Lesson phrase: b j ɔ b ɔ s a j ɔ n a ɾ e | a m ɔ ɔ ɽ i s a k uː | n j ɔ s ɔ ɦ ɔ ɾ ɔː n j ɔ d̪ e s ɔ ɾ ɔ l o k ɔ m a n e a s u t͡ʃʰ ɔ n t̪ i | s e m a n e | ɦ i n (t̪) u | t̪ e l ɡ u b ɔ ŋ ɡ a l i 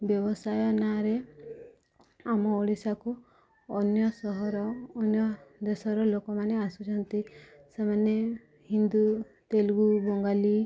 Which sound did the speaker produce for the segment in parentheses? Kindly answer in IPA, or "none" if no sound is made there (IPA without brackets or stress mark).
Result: d̪